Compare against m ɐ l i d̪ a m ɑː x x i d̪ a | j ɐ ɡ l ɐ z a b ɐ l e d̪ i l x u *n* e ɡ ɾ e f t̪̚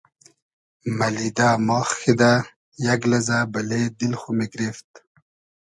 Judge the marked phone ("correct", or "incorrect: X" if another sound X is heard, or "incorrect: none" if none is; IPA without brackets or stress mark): incorrect: m